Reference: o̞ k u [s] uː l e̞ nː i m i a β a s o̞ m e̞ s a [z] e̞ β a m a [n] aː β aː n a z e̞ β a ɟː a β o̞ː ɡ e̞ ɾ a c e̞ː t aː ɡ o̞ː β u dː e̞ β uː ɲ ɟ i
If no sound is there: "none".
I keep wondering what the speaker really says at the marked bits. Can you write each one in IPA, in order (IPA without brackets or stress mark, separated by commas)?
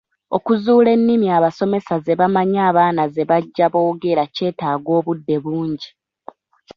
z, z, ɲ